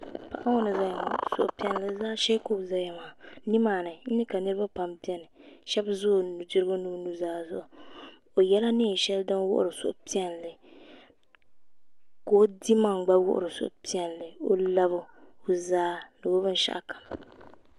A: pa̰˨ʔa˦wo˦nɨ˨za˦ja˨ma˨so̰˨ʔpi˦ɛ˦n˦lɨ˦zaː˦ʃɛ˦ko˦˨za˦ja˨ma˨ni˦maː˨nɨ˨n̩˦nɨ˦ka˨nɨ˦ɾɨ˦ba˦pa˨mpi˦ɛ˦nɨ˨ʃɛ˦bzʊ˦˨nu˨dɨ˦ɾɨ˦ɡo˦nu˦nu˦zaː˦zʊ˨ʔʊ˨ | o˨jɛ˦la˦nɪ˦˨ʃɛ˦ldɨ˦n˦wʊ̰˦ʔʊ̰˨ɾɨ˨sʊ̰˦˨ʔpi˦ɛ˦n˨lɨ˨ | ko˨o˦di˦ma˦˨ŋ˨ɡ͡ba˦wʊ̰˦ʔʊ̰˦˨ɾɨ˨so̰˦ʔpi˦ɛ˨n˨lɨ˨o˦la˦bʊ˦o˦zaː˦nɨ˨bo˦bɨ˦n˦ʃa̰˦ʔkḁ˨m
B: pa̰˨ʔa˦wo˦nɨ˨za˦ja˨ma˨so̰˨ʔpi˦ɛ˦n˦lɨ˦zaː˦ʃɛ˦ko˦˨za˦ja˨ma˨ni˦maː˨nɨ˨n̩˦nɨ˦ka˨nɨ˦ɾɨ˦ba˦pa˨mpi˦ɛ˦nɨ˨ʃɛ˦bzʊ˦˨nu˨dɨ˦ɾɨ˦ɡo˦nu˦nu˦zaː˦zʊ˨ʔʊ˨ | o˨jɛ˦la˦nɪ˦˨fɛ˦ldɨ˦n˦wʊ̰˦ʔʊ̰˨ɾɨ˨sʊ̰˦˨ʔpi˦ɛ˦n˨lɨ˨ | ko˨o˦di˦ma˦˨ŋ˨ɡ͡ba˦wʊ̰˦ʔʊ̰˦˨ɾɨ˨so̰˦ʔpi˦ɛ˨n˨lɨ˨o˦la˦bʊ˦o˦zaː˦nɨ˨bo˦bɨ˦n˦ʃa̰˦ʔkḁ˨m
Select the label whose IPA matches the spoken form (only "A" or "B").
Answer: A